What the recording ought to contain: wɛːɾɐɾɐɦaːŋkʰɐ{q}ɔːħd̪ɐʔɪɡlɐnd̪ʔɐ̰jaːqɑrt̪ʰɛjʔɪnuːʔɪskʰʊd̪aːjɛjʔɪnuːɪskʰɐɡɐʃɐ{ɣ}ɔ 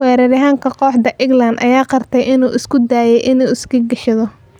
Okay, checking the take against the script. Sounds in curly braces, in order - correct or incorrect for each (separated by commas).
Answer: correct, incorrect